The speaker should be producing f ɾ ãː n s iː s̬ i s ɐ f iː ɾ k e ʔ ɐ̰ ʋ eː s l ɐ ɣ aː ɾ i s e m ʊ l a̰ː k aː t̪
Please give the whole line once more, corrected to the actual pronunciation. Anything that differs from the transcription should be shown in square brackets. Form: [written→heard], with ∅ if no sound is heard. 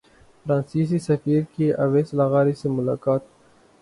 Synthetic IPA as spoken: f ɾ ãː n s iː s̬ i s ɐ f iː ɾ k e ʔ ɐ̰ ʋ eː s l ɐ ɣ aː ɾ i s e m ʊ l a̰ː k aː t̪